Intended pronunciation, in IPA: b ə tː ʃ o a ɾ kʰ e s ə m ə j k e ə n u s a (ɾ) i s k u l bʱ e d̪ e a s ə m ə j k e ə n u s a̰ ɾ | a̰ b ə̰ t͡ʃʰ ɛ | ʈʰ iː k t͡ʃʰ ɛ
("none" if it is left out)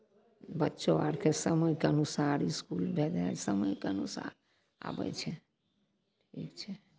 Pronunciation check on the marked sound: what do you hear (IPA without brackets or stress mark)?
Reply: ɾ